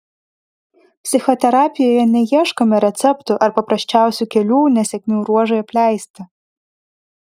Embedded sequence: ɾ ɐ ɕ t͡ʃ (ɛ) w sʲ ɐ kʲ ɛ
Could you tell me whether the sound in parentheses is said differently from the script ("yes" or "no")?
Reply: yes